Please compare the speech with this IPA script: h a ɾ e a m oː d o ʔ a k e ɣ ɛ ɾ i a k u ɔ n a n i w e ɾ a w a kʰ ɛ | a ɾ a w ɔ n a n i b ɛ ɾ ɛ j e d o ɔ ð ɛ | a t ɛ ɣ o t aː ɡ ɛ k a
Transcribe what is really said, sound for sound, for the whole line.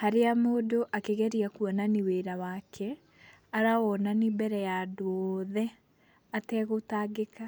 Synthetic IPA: h a ɾ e a m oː d o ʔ a k e ɣ ɛ ɾ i a k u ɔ n a n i w e ɾ a w a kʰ ɛ | a ɾ a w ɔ n a n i b ɛ ɾ ɛ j a d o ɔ ð ɛ | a t ɛ ɣ o t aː ɡ e k a